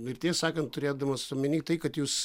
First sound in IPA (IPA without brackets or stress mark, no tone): ɪ